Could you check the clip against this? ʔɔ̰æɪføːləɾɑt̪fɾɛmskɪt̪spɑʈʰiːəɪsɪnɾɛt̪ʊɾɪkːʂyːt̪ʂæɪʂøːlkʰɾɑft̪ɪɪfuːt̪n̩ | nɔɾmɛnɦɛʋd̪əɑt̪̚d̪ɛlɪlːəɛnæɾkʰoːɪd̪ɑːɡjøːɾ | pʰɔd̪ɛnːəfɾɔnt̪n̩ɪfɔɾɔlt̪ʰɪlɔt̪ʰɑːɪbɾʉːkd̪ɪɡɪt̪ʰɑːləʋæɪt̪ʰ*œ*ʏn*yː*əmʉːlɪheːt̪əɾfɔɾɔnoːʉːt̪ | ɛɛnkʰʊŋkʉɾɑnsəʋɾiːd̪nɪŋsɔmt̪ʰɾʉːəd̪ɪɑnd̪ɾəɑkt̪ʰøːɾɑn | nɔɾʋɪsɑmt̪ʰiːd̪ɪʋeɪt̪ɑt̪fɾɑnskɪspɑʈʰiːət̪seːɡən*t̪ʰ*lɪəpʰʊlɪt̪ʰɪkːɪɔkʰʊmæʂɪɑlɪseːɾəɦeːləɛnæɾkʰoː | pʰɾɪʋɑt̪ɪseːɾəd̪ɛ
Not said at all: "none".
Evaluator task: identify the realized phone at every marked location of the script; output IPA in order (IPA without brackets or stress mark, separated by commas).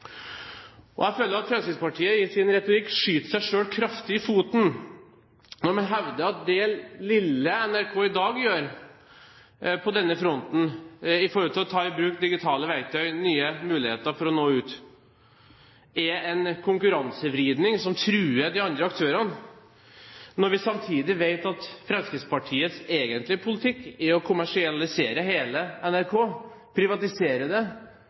œ, yː, t̪